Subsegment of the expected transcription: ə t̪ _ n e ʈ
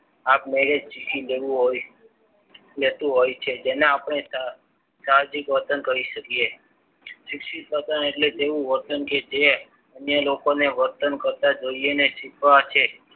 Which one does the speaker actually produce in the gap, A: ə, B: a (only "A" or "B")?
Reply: A